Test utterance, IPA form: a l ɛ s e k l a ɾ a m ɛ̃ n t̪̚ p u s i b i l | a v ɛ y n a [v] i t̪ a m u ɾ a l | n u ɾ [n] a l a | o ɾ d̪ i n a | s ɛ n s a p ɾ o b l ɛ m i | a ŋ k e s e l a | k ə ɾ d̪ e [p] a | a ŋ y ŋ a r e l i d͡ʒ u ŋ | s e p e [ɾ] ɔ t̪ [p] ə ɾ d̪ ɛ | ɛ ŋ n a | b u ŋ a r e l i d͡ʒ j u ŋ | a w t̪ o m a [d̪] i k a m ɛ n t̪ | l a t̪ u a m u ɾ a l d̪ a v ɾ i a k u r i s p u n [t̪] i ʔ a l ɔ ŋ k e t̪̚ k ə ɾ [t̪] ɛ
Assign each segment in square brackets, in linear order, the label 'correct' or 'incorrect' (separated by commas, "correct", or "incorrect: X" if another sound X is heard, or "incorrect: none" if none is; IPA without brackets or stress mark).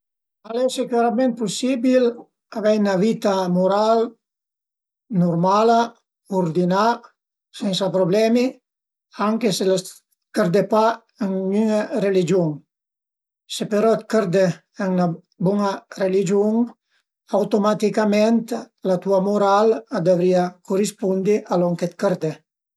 correct, incorrect: m, correct, correct, incorrect: k, incorrect: t̪, incorrect: d̪, incorrect: d̪